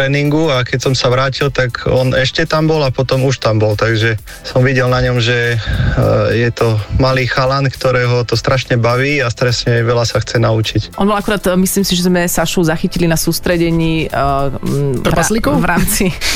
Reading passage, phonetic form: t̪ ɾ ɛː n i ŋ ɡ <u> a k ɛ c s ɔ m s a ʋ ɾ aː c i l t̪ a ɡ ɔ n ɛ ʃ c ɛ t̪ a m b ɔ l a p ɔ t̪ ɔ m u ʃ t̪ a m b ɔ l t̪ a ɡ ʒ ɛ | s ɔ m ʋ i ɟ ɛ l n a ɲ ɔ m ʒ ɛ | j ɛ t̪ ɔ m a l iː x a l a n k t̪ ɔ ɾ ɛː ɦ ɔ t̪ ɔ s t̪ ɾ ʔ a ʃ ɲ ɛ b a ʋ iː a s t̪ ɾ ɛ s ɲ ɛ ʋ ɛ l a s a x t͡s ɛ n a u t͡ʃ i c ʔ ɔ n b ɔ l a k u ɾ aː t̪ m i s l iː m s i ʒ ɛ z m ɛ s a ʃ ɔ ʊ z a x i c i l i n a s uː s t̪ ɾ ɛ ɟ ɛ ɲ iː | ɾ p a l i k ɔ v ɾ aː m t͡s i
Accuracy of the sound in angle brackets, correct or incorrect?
correct